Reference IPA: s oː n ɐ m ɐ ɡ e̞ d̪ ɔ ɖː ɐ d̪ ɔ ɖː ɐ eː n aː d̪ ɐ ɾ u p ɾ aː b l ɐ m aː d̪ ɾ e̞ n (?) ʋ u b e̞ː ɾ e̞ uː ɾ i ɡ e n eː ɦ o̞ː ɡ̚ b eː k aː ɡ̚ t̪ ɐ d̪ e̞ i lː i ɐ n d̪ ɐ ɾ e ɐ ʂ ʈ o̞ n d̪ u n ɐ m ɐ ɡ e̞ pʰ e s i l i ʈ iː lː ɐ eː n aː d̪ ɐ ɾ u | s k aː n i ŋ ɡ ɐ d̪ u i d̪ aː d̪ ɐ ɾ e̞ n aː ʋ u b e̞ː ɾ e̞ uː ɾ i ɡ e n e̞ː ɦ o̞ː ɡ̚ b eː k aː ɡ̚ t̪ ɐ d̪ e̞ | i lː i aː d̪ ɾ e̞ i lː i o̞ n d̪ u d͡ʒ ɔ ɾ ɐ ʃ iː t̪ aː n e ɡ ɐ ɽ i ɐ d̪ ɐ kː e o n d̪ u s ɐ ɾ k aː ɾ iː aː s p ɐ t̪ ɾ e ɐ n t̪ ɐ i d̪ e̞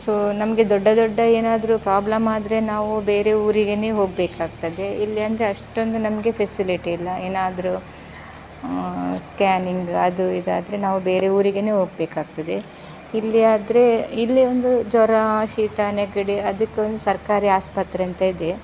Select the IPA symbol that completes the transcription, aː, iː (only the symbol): aː